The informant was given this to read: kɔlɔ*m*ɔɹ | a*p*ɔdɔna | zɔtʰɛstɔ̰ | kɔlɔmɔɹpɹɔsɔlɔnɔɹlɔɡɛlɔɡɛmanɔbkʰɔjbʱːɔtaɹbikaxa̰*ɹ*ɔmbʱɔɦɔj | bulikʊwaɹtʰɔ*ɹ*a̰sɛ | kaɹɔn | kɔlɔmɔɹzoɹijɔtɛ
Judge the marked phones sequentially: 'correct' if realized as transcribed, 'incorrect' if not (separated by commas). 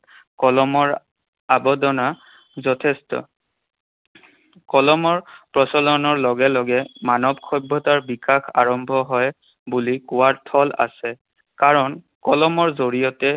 correct, incorrect, correct, incorrect